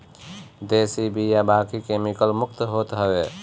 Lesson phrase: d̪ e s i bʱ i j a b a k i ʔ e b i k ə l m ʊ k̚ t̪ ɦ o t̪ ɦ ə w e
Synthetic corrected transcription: d̪ e s i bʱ i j a b a k i k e m i k ə l m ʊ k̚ t̪ ɦ o t̪ ɦ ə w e